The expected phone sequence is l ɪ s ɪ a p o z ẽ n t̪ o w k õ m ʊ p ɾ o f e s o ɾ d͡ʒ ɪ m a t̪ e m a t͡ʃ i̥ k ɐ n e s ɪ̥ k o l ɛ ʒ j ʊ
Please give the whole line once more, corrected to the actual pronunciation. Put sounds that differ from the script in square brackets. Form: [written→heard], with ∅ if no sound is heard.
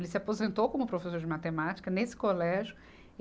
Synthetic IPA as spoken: l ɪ s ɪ a p o z ẽ n t̪ o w k õ m ʊ p ɾ o f e s o ɾ d͡ʒ ɪ m a t̪ e m a t͡ʃ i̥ k ɐ n e s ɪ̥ k o l ɛ ʒ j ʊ